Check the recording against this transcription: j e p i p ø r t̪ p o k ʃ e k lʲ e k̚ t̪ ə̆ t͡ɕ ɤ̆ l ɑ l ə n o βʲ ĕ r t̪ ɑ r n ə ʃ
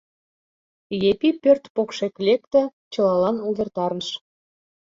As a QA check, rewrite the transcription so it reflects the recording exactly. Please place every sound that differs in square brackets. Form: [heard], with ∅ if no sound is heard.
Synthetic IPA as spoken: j e p i p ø r t̪ p o k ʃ e k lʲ e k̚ t̪ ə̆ t͡ɕ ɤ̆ l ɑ l [ɑ] n [u] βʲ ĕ r t̪ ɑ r n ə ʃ